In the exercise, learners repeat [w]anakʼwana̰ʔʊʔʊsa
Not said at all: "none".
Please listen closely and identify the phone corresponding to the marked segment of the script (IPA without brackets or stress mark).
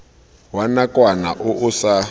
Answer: w